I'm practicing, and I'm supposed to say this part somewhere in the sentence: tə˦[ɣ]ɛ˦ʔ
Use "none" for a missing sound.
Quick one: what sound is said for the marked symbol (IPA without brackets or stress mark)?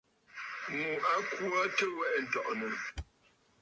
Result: w